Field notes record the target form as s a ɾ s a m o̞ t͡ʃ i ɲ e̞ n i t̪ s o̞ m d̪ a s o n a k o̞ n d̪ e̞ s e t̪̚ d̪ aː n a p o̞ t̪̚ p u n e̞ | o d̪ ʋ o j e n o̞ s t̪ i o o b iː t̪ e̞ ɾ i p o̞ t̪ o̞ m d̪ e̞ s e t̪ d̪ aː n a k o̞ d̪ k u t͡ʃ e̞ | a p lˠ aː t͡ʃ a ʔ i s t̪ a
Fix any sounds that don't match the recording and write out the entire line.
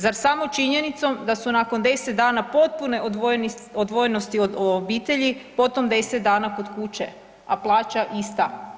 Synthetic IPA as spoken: z a ɾ s a m o̞ t͡ʃ i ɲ e̞ n i t̪ s o̞ m d̪ a s u n a k o̞ n d̪ e̞ s e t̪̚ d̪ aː n a p o̞ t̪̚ p u n e̞ | o d̪ ʋ o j e n o̞ s t̪ i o o b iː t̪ e̞ ʎ i p o̞ t̪ o̞ m d̪ e̞ s e t̪ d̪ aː n a k o̞ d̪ k u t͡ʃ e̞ | a p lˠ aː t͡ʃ a ʔ i s t̪ a

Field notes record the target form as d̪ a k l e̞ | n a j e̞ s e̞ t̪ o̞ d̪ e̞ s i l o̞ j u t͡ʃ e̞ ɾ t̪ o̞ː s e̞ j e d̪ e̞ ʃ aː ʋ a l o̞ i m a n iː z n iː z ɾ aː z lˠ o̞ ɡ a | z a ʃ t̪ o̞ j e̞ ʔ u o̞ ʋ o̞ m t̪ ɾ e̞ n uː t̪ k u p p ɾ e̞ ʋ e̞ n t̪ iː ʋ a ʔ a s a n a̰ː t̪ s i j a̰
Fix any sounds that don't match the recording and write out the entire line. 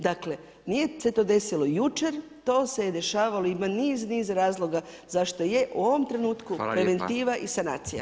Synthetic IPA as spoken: d̪ a k l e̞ | n i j e̞ s e̞ t̪ o̞ d̪ e̞ s i l o̞ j u t͡ʃ e̞ ɾ t̪ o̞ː s e̞ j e d̪ e̞ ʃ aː ʋ a l o̞ i m a n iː z n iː z ɾ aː z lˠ o̞ ɡ a | z a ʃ t̪ o̞ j e̞ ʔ u o̞ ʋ o̞ m t̪ ɾ e̞ n uː t̪ k u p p ɾ e̞ ʋ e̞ n t̪ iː ʋ a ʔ i s a n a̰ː t̪ s i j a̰

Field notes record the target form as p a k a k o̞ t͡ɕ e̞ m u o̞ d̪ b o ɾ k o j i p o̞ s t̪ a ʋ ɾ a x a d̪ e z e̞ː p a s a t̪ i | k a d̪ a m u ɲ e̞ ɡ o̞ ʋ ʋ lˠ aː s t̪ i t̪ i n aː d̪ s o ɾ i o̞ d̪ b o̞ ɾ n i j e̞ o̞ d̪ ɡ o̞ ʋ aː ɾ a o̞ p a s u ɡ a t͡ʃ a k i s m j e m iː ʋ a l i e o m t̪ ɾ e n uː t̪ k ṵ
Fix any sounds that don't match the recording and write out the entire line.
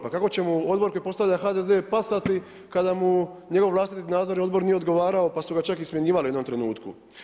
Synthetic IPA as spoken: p a k a k o̞ t͡ɕ e̞ m u o̞ d̪ b o ɾ k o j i p o̞ s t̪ a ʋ ʎ a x a d̪ e z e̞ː p a s a t̪ i | k a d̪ a m u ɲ e̞ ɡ o̞ ʋ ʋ lˠ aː s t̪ i t̪ i n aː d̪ z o ɾ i o̞ d̪ b o̞ ɾ n i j e̞ o̞ d̪ ɡ o̞ ʋ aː ɾ a o̞ p a s u ɡ a t͡ʃ a k i s m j e ɲ iː ʋ a l i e o m t̪ ɾ e n uː t̪ k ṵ

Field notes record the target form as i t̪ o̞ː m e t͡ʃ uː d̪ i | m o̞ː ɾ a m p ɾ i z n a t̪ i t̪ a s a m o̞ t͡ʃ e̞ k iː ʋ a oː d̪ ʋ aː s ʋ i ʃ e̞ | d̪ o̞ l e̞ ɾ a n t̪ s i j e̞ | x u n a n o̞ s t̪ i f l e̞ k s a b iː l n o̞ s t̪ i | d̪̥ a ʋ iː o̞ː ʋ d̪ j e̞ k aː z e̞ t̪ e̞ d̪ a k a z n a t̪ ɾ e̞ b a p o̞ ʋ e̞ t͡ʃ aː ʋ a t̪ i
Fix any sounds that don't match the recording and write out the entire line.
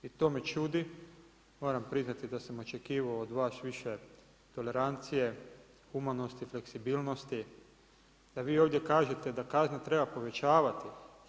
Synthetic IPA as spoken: i t̪ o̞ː m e t͡ʃ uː d̪ i | m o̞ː ɾ a m p ɾ i z n a t̪ i d̪ a s a m o̞ t͡ʃ e̞ k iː ʋ a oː d̪ ʋ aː s ʋ i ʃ e̞ | t̪ o̞ l e̞ ɾ a n t̪ s i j e̞ | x u m a n o̞ s t̪ i f l e̞ k s i b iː l n o̞ s t̪ i | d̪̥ a ʋ iː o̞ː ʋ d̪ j e̞ k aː ʒ e̞ t̪ e̞ d̪ a k a z n a t̪ ɾ e̞ b a p o̞ ʋ e̞ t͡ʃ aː ʋ a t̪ i

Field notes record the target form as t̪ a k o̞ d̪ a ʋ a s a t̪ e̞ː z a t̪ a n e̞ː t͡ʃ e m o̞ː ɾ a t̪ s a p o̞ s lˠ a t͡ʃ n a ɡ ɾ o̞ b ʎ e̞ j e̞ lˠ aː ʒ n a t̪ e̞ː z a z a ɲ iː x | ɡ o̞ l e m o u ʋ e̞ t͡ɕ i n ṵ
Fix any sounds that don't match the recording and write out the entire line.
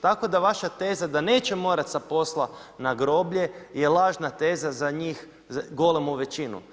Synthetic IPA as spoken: t̪ a k o̞ d̪ a ʋ a ʃ a t̪ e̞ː z a d̪ a n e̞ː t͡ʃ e m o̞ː ɾ a t̪ s a p o̞ s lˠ a n a ɡ ɾ o̞ b ʎ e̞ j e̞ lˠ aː ʒ n a t̪ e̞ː z a z a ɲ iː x | ɡ o̞ l e m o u ʋ e̞ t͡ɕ i n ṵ

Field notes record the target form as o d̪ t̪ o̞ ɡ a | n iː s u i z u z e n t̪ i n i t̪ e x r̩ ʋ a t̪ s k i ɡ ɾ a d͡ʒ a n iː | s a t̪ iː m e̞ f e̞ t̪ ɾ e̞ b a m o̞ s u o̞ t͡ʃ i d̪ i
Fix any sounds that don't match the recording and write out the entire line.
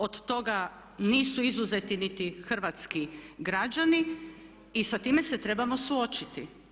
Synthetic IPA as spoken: o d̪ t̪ o̞ ɡ a | n iː s u i z u z e t̪ i n i t̪ i x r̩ ʋ a t̪ s k i ɡ ɾ a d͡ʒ a n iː | s a t̪ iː m e̞ s e̞ t̪ ɾ e̞ b a m o̞ s u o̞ t͡ʃ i t̪ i

